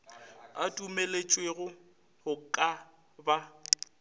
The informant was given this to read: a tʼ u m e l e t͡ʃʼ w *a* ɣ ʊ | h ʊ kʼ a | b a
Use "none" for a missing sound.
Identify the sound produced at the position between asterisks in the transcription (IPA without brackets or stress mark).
e